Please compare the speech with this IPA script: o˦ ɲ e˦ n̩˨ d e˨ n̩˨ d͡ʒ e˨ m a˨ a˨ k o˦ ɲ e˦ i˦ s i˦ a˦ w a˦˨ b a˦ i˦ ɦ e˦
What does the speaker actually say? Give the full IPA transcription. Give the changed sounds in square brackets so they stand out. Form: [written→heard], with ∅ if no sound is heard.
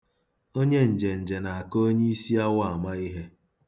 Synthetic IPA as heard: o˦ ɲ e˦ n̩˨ [d→d͡ʒ] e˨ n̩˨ d͡ʒ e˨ [m→n] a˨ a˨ k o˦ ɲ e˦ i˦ s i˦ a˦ w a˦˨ [b→m] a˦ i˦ ɦ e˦